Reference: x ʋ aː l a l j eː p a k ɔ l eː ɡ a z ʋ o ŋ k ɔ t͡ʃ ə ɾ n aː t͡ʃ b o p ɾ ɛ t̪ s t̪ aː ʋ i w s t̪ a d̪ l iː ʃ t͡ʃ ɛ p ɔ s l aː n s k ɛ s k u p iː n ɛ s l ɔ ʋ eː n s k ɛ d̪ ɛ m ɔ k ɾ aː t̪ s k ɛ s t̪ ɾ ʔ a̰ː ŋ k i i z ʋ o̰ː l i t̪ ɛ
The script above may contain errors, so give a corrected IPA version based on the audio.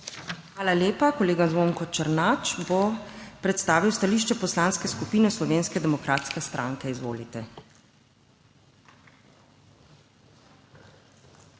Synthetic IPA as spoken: x ʋ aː l a l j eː p a k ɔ l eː ɡ a z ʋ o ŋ k ɔ t͡ʃ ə ɾ n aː t͡ʃ b o p ɾ ɛ t̪ s t̪ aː ʋ i w s t̪ a l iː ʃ t͡ʃ ɛ p ɔ s l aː n s k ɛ s k u p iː n ɛ s l ɔ ʋ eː n s k ɛ d̪ ɛ m ɔ k ɾ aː t̪ s k ɛ s t̪ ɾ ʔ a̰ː ŋ k ɛ i z ʋ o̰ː l i t̪ ɛ